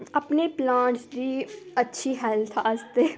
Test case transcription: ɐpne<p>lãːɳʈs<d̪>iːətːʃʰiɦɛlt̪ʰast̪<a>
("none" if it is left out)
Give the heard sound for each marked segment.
p, d̪, e

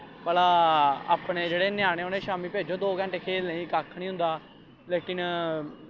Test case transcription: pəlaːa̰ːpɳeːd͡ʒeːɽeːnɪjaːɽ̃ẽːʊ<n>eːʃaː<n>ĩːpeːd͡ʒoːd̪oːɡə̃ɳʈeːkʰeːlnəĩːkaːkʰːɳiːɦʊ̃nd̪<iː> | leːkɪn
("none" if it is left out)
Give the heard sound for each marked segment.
n, m, aː

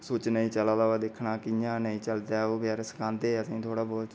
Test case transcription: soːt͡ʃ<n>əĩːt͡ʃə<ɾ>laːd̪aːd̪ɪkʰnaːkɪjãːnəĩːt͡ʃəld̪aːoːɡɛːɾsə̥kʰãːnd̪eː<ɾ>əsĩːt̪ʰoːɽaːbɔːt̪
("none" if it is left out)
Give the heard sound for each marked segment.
n, none, none

